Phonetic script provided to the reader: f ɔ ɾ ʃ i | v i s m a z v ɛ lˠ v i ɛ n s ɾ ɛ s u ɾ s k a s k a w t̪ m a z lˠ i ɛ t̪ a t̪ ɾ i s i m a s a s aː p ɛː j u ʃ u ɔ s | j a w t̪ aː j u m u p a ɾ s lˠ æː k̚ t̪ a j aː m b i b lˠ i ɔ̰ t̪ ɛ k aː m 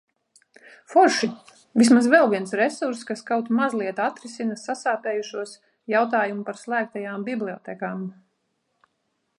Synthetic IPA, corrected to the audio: f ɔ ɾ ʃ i | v i s m a z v ɛ lˠ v i ɛ n s ɾ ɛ s u ɾ s k a s k a w t̪ m a z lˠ i ɛ t̪ a t̪ ɾ i s i n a s a s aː p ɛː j u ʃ u ɔ s | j a w t̪ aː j u m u p a ɾ s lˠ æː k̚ t̪ a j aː m b i b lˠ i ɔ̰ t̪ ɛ k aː m